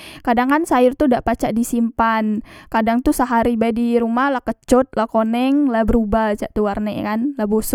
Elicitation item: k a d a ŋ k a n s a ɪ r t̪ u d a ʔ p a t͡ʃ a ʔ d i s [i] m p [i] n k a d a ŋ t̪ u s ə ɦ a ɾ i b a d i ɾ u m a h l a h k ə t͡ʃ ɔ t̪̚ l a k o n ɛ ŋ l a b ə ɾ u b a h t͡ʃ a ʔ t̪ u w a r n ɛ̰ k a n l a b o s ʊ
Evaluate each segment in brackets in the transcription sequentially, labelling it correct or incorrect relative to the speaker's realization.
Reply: correct, incorrect

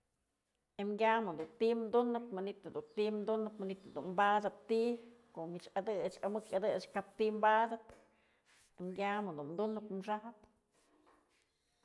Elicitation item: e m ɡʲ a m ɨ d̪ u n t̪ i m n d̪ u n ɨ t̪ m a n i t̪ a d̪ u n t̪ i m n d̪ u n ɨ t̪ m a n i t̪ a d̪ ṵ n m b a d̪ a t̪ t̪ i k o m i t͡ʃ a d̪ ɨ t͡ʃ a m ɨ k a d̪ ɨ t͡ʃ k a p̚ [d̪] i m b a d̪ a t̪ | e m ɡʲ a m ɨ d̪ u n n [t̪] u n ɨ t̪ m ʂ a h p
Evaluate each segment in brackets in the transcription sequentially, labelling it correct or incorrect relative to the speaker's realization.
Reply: incorrect, incorrect

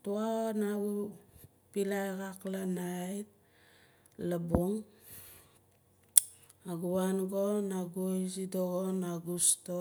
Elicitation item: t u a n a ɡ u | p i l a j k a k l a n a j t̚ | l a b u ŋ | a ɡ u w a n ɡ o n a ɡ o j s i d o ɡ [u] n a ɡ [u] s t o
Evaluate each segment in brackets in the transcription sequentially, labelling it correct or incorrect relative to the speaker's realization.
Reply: incorrect, correct

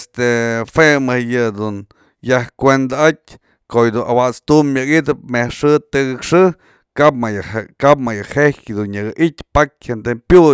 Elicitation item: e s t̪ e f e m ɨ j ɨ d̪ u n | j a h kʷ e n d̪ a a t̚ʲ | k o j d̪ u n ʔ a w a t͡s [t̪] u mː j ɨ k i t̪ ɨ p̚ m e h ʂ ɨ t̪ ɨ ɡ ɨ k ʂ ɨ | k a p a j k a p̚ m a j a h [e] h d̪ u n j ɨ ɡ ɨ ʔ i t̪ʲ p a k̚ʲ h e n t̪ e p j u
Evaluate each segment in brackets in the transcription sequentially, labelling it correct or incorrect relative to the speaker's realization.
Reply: correct, correct

